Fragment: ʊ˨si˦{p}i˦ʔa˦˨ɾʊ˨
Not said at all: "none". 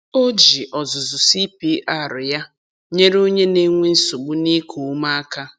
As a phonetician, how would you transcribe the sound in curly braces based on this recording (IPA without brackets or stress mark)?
p